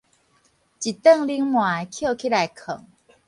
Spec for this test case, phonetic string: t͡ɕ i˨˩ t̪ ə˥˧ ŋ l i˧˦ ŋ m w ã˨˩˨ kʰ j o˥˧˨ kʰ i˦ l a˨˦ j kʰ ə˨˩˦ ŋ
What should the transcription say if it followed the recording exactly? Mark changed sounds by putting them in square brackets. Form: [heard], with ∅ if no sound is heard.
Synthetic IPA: t͡ɕ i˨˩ t̪ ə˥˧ ŋ l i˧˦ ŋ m w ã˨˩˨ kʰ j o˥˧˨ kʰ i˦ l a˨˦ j kʰ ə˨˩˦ ŋ